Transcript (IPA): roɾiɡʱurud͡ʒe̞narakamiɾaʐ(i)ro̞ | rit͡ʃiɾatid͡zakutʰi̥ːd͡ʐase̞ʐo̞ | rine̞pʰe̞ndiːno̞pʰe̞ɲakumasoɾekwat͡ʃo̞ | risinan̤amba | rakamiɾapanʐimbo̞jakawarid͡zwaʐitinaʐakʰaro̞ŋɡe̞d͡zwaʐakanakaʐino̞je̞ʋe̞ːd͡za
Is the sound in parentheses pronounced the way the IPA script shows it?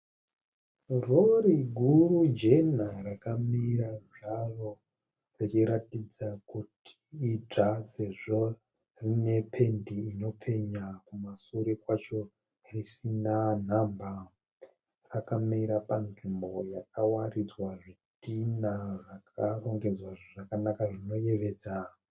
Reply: no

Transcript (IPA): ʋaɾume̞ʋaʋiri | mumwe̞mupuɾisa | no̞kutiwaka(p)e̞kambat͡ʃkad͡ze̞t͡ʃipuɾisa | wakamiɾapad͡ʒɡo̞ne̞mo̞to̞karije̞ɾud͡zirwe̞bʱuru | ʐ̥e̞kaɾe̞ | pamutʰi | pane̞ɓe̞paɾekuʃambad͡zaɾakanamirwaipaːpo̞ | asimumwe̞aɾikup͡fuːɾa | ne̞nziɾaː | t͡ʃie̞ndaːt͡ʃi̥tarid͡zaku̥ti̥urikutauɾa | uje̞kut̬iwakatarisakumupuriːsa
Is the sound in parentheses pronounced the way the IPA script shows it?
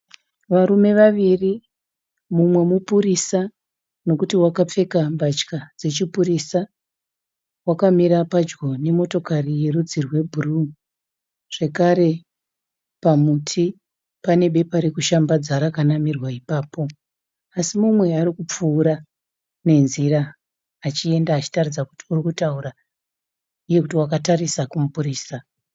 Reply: no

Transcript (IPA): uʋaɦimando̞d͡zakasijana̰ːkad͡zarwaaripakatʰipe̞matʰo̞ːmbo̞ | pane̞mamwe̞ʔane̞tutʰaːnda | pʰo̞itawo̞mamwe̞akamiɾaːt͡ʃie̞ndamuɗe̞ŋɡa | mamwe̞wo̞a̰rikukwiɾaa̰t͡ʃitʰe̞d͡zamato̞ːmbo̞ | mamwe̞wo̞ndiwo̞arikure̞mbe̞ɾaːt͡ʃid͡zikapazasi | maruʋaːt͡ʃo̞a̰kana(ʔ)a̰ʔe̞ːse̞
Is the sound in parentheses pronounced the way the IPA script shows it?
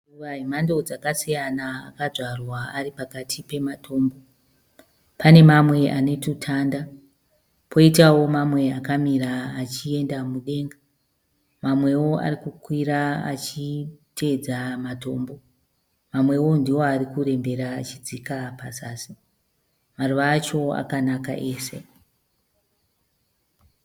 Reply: no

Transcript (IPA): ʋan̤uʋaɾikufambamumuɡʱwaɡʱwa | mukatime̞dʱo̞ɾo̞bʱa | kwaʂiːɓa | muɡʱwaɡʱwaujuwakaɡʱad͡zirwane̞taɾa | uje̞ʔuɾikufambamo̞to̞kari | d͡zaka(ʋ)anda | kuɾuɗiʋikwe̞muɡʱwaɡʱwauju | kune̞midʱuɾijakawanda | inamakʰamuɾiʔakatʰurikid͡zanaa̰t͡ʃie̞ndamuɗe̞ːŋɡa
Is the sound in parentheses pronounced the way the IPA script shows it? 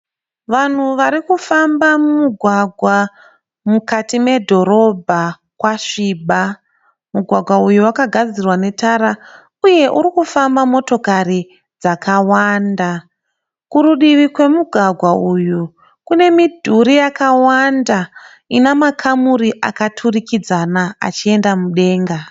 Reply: no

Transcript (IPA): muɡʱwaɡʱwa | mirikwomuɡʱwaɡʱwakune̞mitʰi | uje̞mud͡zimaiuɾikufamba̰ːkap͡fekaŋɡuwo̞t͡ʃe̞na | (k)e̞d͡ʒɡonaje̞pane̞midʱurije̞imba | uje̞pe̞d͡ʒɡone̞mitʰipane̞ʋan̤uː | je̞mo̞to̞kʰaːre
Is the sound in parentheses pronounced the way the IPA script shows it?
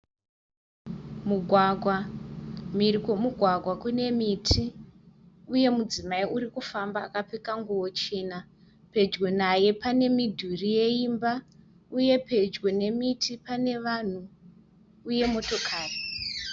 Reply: no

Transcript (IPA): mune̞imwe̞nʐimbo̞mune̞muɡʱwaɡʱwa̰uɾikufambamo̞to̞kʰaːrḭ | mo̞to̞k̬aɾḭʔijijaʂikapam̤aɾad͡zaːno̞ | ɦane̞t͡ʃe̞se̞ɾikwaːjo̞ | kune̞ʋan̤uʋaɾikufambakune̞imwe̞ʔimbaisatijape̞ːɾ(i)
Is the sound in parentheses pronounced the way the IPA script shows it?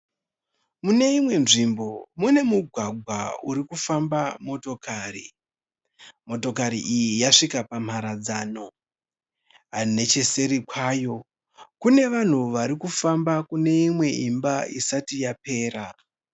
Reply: no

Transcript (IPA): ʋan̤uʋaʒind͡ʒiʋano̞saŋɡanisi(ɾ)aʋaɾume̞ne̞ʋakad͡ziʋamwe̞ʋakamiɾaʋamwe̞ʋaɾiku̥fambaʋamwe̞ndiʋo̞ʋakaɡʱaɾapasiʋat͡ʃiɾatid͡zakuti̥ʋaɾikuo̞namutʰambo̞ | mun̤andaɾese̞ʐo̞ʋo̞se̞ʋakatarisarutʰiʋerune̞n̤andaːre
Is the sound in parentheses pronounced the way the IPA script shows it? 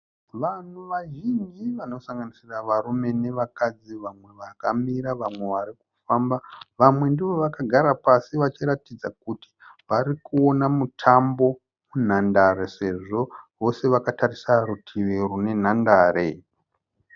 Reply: no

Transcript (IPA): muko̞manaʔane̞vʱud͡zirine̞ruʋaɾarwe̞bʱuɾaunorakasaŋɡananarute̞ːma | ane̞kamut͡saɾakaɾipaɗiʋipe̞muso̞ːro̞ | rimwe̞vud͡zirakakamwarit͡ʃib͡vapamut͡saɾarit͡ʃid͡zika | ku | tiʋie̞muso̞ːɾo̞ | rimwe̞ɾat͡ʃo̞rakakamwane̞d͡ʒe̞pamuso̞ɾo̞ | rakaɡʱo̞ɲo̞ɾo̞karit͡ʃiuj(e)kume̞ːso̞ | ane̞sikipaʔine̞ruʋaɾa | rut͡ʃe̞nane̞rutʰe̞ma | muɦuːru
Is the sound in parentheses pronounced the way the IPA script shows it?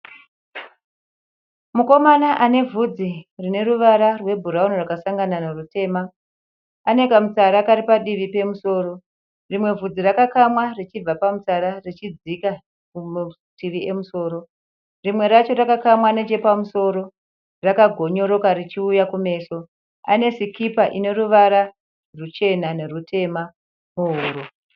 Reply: no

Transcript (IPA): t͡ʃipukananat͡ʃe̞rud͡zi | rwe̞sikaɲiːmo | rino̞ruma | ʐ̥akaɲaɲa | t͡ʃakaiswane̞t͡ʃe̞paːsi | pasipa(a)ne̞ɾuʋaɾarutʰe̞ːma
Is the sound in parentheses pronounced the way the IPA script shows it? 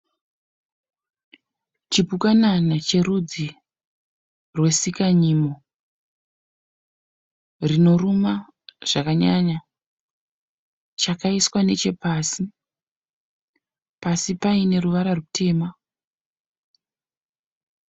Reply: no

